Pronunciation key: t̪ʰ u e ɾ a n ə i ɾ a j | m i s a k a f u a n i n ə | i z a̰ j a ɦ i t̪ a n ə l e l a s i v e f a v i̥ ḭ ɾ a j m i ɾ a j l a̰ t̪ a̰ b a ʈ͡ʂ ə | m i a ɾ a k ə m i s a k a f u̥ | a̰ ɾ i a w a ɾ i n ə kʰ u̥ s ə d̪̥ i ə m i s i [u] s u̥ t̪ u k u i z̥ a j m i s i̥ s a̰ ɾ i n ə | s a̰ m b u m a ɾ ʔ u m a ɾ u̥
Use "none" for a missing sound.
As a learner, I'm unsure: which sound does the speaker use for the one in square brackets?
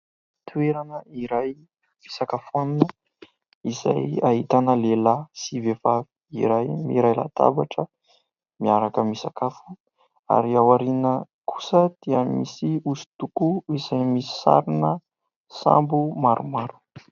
u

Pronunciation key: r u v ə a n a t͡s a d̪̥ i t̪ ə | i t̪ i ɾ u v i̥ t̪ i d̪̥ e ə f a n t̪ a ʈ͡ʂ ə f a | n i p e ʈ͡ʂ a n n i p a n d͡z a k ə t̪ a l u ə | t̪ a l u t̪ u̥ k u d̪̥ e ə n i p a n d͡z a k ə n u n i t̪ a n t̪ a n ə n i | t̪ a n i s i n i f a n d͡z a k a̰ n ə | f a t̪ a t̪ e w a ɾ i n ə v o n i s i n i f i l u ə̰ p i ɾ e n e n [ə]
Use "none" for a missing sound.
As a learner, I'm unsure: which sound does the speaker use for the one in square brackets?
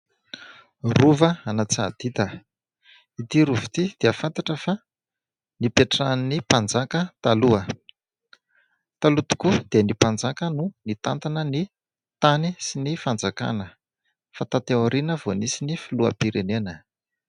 ə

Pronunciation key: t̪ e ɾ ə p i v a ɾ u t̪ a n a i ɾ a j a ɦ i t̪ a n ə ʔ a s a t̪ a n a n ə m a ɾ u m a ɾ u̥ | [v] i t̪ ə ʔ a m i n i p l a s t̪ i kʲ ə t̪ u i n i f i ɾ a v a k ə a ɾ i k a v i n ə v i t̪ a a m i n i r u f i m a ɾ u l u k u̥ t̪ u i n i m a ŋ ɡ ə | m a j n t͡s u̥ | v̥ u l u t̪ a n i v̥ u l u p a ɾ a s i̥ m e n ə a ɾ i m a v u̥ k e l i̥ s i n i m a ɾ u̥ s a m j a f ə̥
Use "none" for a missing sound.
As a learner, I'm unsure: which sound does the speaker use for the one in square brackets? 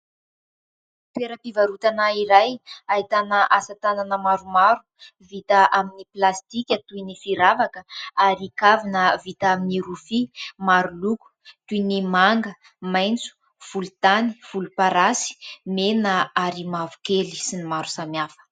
v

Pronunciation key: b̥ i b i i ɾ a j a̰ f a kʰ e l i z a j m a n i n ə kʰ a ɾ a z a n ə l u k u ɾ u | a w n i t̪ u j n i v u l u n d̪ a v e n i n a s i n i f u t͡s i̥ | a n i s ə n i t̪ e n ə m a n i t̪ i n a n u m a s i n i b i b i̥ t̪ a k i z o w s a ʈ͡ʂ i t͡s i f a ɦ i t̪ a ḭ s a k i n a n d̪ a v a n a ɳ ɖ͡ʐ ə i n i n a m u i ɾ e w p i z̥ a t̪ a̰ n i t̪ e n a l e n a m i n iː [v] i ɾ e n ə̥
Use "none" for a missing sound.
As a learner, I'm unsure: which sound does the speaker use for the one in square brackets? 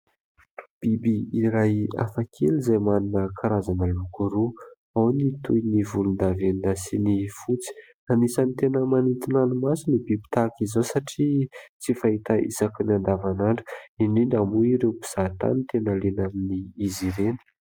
z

